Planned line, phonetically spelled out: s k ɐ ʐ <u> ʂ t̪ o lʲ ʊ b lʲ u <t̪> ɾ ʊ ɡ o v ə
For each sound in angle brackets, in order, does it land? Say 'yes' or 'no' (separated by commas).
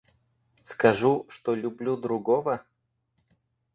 yes, no